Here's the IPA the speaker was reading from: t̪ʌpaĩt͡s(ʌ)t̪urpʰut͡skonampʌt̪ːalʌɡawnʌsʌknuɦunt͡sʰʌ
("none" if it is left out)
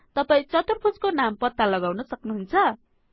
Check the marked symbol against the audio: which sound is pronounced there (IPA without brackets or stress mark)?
ʌ